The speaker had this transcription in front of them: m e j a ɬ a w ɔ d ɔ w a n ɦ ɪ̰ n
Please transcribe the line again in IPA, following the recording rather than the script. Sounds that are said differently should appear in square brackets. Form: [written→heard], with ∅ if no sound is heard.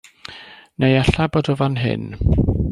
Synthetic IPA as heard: [m→n] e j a ɬ a [w→b] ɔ d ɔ [w→v] a n ɦ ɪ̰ n